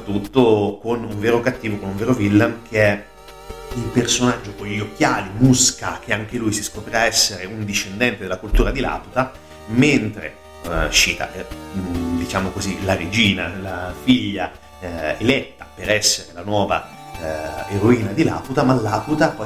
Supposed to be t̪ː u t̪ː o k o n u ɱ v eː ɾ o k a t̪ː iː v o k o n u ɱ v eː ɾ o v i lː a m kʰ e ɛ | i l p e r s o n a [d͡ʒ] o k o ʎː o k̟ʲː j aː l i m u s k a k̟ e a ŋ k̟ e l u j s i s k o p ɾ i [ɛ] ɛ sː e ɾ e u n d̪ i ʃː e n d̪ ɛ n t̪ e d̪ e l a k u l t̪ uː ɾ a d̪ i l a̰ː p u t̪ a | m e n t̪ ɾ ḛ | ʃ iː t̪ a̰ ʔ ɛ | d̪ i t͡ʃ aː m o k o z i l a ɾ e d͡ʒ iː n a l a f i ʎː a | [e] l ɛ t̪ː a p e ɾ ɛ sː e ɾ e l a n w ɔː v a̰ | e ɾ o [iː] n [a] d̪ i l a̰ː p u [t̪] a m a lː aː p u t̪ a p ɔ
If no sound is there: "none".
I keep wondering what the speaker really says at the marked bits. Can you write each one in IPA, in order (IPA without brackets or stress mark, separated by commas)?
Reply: d͡ʒː, a, e, iː, a, t̪